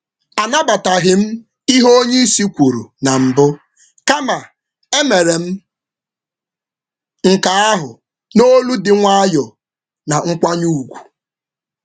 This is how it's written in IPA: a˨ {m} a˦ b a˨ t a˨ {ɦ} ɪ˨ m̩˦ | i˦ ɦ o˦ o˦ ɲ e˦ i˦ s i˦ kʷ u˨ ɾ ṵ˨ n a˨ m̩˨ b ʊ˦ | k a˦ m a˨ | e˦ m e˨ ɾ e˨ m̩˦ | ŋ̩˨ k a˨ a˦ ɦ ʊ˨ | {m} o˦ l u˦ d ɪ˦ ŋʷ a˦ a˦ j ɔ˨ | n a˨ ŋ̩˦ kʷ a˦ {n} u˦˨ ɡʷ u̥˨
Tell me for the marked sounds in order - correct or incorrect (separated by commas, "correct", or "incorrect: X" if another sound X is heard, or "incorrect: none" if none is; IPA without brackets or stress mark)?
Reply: incorrect: n, correct, incorrect: n, incorrect: ɲ